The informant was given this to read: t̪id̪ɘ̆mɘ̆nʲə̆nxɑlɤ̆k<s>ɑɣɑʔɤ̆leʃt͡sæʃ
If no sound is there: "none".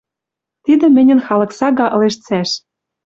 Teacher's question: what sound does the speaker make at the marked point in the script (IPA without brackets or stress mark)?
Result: s